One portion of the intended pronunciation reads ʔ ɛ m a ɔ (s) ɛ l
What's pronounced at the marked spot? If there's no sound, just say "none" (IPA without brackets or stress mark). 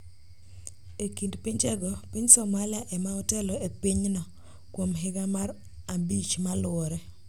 t